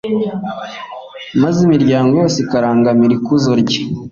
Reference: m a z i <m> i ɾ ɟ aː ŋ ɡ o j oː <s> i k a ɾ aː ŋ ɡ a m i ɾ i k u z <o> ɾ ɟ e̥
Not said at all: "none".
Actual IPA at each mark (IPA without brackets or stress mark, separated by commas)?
m, s, o